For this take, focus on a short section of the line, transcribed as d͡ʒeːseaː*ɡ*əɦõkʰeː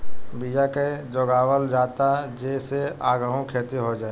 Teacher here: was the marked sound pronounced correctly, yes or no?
yes